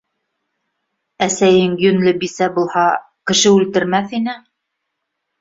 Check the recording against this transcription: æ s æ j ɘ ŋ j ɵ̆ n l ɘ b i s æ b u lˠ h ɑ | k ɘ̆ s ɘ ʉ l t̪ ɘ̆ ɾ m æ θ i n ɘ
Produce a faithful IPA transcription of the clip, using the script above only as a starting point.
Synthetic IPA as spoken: æ s æ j ɘ ŋ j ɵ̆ n l ɘ b i s æ b u lˠ h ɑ | k ɘ̆ ʃ ɘ ʉ l t̪ ɘ̆ ɾ m æ θ i n ɘ